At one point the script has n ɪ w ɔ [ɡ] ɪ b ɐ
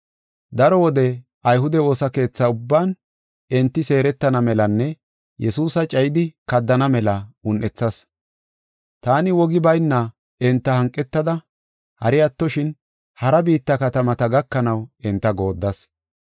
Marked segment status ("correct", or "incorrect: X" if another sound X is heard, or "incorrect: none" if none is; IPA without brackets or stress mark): correct